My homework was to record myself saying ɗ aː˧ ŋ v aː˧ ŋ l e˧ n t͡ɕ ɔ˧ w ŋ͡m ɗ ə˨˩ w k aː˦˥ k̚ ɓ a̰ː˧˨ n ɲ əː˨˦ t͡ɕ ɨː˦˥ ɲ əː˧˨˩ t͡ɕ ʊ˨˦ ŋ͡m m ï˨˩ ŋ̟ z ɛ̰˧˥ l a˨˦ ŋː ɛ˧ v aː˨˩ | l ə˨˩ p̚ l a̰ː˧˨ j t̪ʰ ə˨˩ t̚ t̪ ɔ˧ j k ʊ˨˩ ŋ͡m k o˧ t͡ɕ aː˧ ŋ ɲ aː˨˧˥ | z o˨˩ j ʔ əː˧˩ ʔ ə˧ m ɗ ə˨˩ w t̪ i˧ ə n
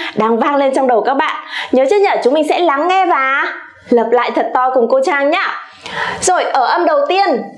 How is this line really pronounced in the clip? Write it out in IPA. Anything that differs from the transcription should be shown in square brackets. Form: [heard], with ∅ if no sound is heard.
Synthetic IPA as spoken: ɗ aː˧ ŋ v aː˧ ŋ l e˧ n t͡ɕ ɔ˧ w ŋ͡m ɗ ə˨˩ w k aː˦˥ k̚ ɓ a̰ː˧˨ n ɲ əː˨˦ t͡ɕ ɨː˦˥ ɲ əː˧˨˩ t͡ɕ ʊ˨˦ ŋ͡m m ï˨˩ ŋ̟ [s] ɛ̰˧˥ l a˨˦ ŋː ɛ˧ v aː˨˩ | l [əː˨˩] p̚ l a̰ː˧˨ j t̪ʰ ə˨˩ t̚ t̪ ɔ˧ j k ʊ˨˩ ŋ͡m k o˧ t͡ɕ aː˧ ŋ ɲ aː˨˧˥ | z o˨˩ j ʔ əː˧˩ ʔ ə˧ m ɗ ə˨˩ w t̪ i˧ ə n